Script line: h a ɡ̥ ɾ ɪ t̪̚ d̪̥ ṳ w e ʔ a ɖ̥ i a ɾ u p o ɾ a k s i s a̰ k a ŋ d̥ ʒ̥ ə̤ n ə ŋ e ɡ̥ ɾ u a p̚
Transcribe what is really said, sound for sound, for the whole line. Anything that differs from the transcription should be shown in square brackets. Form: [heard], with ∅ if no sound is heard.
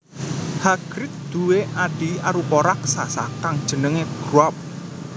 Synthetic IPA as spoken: h a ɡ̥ ɾ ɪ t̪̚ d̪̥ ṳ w e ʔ a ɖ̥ i a ɾ u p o ɾ a k s [a] s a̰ k a ŋ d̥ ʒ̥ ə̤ n ə ŋ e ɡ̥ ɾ u a p̚